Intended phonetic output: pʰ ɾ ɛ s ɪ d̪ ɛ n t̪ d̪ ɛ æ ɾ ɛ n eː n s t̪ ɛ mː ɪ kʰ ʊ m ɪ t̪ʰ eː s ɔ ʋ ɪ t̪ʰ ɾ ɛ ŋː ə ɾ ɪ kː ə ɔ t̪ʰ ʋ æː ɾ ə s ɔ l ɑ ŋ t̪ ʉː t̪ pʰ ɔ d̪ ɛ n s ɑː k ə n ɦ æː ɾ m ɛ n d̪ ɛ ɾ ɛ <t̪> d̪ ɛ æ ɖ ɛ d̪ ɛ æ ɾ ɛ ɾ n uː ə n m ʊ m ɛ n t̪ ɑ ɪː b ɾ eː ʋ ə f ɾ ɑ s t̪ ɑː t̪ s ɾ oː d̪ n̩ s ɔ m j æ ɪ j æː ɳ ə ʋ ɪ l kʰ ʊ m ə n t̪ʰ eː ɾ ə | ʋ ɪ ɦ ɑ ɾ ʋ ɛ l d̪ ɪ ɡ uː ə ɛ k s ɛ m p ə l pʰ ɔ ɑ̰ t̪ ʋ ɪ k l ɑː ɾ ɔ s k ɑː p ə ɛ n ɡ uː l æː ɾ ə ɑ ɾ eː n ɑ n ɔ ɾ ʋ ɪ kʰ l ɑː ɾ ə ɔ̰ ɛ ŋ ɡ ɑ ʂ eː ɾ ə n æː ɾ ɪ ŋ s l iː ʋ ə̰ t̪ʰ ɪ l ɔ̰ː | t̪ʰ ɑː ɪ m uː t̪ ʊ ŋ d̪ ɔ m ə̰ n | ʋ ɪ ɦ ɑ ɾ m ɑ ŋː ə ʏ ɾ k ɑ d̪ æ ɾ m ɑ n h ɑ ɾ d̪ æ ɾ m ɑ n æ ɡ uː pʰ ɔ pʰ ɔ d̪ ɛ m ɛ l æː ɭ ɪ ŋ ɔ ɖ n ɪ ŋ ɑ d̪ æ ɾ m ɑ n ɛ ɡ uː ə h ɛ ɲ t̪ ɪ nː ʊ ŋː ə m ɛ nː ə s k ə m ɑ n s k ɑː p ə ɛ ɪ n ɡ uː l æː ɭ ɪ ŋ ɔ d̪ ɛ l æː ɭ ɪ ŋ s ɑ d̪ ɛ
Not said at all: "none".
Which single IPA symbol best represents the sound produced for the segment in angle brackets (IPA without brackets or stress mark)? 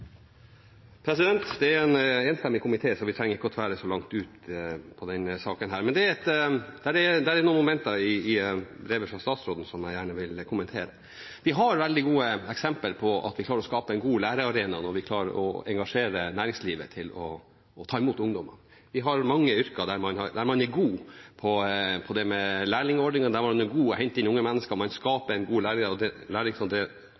t̪